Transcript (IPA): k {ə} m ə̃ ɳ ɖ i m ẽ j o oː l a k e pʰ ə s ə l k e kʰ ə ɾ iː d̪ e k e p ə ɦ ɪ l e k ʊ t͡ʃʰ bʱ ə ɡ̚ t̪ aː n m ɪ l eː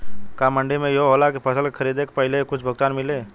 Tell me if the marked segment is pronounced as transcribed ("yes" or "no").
no